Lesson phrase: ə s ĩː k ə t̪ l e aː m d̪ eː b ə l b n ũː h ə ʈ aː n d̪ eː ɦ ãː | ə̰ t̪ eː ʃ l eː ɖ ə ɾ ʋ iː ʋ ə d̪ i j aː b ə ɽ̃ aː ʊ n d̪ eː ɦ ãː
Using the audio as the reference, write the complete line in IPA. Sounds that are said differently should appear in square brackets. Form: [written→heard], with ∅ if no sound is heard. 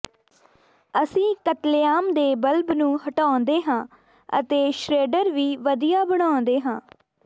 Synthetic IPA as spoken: ə s ĩː k ə t̪ l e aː m d̪ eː b ə l b n ũː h ə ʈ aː n d̪ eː ɦ ãː | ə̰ t̪ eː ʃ [l→ɾ] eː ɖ ə ɾ ʋ iː ʋ ə d̪ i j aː b ə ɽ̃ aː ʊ n d̪ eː ɦ ãː